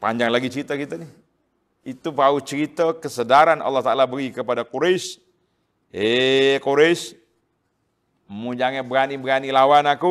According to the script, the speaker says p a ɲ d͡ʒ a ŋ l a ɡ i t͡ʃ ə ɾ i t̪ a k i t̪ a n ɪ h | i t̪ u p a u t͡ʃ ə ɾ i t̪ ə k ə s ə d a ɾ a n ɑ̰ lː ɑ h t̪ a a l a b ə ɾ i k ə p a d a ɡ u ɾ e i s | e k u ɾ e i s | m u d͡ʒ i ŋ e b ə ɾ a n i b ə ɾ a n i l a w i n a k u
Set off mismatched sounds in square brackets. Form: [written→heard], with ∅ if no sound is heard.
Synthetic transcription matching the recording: p a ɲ d͡ʒ a ŋ l a ɡ i t͡ʃ ə ɾ i t̪ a k i t̪ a n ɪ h | i t̪ u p a u t͡ʃ ə ɾ i t̪ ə k ə s ə d a ɾ a n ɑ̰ lː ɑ h t̪ a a l a b ə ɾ i k ə p a d a [ɡ→k] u ɾ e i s | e k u ɾ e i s | m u d͡ʒ [i→a] ŋ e b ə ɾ a n i b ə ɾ a n i l a w [i→a] n a k u